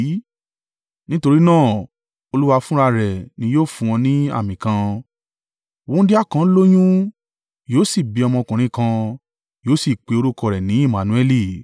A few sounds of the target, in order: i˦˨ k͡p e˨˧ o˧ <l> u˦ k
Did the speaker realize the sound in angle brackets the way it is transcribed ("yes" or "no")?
no